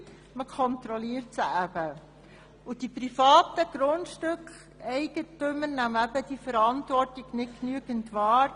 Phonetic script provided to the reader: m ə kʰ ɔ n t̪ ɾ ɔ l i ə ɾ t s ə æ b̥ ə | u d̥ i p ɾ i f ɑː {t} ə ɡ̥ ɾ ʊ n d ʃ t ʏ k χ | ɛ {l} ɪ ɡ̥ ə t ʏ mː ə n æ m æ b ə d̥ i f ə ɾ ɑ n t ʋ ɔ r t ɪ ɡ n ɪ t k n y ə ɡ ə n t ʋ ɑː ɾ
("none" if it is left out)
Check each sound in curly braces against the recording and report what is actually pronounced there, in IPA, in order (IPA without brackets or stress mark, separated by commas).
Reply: t, none